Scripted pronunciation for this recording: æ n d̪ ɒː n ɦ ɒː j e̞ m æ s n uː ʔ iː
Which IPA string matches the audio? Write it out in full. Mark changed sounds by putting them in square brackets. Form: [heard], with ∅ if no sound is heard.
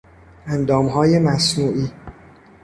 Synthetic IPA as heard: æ n d̪ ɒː [m] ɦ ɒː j e̞ m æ s n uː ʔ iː